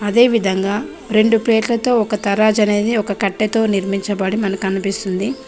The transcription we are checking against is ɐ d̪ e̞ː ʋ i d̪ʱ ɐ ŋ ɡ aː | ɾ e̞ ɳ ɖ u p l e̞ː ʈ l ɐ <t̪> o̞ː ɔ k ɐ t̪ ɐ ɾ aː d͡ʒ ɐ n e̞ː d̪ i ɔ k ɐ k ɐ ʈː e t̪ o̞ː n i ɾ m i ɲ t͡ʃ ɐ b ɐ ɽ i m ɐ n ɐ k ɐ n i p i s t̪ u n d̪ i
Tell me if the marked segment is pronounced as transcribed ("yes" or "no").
yes